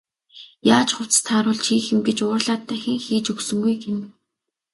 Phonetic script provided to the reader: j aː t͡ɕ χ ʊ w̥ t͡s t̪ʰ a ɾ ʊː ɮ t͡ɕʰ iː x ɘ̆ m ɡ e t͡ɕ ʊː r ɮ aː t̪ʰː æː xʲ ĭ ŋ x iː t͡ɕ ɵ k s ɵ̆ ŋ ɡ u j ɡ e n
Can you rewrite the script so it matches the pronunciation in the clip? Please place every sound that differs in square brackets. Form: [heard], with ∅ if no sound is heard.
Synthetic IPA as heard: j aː t͡ɕ χ ʊ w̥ t͡s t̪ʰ a ɾ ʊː ɮ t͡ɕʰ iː x ɘ̆ m ɡ e t͡ɕ ʊː r ɮ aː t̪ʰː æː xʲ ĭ ŋ x iː t͡ɕ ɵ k s ɵ̆ ŋ ɡ u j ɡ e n